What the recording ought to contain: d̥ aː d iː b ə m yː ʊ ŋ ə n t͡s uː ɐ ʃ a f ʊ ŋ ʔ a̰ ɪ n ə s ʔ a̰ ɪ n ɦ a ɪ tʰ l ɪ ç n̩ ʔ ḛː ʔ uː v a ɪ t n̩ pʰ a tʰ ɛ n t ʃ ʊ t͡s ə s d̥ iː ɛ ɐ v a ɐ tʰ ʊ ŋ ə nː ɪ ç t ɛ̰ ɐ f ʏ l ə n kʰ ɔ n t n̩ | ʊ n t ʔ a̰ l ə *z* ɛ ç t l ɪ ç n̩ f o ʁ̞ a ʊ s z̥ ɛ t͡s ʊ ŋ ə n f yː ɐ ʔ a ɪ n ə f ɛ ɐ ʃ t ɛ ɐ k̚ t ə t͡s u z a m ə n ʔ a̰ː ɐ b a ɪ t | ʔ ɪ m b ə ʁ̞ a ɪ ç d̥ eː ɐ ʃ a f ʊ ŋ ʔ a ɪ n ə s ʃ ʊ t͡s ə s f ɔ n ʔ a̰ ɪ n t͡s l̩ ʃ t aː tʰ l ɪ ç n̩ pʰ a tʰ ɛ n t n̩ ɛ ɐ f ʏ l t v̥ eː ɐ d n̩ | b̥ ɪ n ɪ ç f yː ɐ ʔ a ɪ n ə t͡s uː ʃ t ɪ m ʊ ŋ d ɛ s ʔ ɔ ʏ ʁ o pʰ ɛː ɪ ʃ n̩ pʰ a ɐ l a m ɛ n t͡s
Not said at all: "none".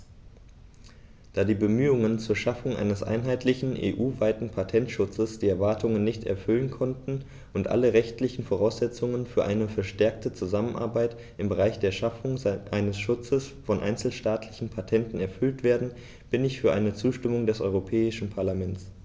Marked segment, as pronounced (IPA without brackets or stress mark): ʁ